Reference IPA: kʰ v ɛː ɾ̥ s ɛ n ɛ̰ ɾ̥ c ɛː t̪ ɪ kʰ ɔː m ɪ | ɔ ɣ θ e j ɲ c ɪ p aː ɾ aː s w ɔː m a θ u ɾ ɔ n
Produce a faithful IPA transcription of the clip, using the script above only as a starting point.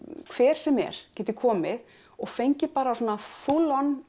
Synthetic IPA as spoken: kʰ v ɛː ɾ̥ s ɛ m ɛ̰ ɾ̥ c ɛː t̪ ɪ kʰ ɔː m ɪ | ɔ ɣ f e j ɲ c ɪ p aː ɾ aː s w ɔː n a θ u l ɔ n